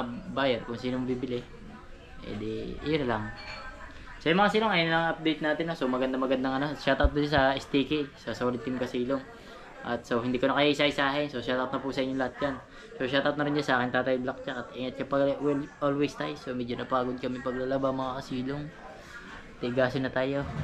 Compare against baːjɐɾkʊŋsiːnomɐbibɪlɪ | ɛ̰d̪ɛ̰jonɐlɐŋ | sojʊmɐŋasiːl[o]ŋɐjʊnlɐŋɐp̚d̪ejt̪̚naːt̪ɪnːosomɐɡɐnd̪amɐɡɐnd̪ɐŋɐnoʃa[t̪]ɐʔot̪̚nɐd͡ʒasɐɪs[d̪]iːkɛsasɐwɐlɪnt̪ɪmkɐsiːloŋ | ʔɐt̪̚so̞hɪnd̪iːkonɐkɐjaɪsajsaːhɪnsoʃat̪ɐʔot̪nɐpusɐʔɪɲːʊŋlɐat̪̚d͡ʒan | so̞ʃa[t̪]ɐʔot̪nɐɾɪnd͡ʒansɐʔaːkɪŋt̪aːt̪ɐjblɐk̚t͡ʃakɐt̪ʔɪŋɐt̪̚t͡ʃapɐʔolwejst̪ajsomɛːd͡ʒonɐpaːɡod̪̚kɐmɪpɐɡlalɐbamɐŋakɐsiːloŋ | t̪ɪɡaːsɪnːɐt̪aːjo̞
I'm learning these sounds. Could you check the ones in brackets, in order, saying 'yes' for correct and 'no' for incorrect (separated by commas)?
yes, yes, no, yes